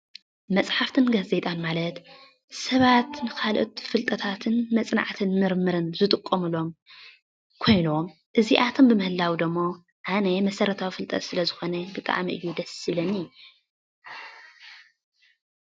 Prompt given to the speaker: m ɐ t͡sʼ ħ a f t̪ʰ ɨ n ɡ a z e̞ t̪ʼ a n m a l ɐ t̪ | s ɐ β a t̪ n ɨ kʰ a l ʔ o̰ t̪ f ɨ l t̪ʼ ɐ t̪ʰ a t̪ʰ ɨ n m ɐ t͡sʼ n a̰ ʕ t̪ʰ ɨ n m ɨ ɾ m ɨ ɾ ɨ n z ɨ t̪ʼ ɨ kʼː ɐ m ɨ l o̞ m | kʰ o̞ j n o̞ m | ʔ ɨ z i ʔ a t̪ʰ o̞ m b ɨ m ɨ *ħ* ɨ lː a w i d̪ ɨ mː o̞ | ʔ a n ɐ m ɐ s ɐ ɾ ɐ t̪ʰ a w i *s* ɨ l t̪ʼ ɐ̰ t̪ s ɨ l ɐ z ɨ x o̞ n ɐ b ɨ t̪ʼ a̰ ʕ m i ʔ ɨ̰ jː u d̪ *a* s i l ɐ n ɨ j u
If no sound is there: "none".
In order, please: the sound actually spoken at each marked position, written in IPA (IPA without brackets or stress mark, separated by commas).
h, f, ɐ